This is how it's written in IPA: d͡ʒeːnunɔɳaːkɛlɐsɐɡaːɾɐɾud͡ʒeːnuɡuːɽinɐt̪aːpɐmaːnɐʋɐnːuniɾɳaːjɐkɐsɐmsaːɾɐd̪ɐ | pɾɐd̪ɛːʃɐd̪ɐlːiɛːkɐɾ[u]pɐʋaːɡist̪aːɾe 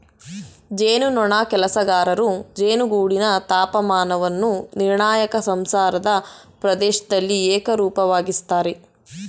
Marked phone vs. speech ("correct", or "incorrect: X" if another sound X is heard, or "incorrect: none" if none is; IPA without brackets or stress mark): incorrect: uː